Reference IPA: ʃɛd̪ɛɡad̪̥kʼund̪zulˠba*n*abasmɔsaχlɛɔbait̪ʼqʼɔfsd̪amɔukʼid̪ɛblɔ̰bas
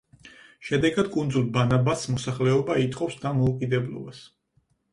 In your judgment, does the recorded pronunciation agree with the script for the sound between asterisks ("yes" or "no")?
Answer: yes